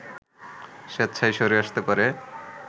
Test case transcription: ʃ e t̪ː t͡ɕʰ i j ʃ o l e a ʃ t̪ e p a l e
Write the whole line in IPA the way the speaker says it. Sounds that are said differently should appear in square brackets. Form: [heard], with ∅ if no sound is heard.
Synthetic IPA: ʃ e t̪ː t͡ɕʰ [a] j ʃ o [ɾ] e a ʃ t̪ e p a [ɾ] e